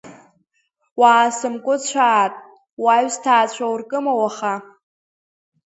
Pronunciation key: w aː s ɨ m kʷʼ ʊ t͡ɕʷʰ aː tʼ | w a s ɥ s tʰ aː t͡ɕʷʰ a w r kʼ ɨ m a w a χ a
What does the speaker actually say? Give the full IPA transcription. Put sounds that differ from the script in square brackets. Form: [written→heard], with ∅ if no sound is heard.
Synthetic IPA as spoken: w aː s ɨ m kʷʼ ʊ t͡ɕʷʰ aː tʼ | w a [s→∅] ɥ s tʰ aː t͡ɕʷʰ a w r kʼ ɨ m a w a χ a